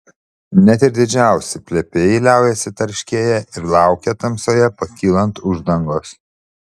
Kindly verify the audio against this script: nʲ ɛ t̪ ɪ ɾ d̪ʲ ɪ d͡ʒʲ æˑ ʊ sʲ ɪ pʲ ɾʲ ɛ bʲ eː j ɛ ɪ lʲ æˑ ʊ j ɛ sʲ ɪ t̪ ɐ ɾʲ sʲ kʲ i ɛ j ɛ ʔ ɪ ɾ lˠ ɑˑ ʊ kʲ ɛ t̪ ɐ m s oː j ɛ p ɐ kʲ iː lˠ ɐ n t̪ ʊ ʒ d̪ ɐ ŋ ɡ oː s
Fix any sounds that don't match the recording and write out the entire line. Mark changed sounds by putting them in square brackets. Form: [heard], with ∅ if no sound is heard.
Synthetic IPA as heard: nʲ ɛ t̪ ɪ ɾ d̪ʲ ɪ d͡ʒʲ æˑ ʊ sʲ ɪ pʲ [lʲ] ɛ [pʲ] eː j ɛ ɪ lʲ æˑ ʊ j ɛ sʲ ɪ t̪ ɐ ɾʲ [ʃʲ] kʲ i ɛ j ɛ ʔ ɪ ɾ lˠ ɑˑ ʊ kʲ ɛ t̪ ɐ m s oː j ɛ p ɐ kʲ iː lˠ ɐ n t̪ ʊ ʒ d̪ ɐ ŋ ɡ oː s